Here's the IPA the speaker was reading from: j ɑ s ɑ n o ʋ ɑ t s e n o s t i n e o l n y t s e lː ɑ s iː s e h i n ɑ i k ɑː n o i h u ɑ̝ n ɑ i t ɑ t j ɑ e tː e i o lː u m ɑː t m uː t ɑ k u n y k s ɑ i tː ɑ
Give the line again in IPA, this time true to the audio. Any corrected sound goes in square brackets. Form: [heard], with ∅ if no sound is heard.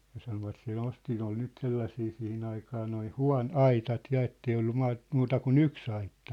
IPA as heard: j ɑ s ɑ n o ʋ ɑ t s e n o s t i n e o l n y t s e lː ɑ s iː s [i] h i n ɑ i k ɑː n o i h u ɑ̝ n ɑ i t ɑ t j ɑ e tː e i o lː u m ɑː t m uː t ɑ k u n y k s ɑ i tː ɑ